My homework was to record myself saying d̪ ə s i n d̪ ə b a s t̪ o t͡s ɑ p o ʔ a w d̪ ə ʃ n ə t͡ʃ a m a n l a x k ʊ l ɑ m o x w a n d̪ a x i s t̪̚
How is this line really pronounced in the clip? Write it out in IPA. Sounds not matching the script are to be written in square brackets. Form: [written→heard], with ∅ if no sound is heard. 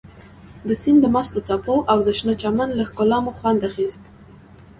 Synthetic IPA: d̪ ə s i n d̪ ə [b→m] a s t̪ o t͡s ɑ p o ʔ a w d̪ ə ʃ n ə t͡ʃ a m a n l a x k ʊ l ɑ m o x w a n d̪ a x i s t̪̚